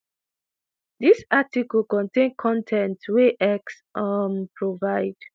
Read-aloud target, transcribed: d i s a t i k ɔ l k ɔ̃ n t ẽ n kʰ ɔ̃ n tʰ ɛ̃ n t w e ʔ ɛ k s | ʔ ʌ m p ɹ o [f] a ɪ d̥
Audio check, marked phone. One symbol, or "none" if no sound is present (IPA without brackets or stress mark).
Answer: v